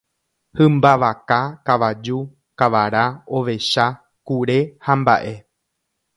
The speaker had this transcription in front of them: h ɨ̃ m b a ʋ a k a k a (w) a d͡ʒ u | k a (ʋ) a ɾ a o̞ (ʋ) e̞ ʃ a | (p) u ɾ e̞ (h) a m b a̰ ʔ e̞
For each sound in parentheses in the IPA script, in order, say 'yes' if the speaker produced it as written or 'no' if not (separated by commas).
no, yes, yes, no, yes